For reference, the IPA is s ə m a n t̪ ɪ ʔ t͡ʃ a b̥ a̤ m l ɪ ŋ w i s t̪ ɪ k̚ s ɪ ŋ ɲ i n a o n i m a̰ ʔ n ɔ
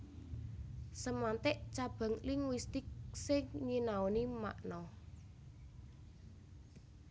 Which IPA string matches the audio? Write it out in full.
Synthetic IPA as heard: s ə m a n t̪ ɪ ʔ t͡ʃ a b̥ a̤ ŋ l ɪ ŋ w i s t̪ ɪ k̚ s ɪ ŋ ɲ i n a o n i m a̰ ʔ n ɔ